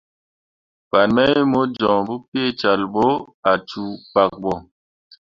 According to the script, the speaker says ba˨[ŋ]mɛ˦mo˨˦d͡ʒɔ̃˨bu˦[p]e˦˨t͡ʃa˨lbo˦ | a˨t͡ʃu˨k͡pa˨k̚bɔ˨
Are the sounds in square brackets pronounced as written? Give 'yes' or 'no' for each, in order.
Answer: no, yes

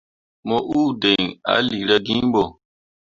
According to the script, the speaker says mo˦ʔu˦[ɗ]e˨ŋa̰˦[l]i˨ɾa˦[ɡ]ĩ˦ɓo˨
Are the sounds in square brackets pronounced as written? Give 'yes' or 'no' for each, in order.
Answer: no, yes, yes

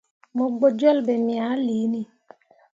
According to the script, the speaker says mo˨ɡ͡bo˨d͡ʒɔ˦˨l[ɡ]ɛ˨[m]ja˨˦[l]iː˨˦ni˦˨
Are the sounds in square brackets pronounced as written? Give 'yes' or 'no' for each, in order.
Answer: no, yes, yes

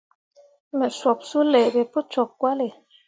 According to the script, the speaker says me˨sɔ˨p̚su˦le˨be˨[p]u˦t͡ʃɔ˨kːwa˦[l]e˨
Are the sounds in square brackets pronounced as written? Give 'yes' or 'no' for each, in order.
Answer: yes, yes

